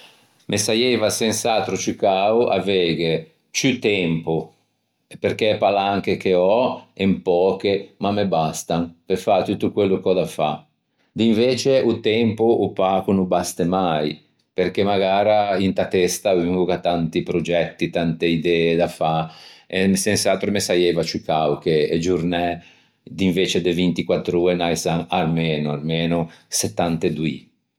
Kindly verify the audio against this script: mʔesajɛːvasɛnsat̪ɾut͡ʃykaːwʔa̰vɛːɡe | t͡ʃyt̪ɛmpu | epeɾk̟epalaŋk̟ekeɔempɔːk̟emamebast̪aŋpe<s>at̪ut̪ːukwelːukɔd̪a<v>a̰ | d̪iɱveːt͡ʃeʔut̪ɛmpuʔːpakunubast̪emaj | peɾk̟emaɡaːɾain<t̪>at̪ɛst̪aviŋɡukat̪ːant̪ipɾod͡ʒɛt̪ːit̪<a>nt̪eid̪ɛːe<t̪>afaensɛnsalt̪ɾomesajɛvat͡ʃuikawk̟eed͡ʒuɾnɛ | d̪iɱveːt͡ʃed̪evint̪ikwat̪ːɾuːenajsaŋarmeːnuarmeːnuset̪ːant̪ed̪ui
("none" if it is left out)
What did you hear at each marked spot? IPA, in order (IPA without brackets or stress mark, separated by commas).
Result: f, f, t̪, a, d̪